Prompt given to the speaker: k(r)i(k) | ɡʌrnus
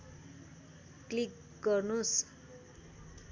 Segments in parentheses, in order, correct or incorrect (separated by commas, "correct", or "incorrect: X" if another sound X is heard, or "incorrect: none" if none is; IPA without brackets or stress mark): incorrect: l, correct